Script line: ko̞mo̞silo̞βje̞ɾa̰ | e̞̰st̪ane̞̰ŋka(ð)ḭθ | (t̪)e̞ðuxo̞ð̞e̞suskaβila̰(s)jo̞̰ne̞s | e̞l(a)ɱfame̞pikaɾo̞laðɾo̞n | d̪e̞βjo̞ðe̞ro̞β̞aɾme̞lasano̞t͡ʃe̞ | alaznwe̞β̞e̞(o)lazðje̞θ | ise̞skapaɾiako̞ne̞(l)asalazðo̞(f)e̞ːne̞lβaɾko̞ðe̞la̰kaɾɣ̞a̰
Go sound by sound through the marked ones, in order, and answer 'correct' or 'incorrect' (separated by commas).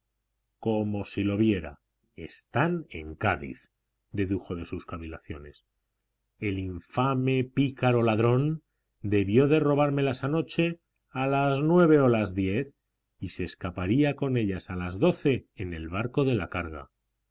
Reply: correct, incorrect, incorrect, incorrect, correct, incorrect, incorrect